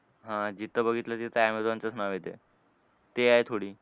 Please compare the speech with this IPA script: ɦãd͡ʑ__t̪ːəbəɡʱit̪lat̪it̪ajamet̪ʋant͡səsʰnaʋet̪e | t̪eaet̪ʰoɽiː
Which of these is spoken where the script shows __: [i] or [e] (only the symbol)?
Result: i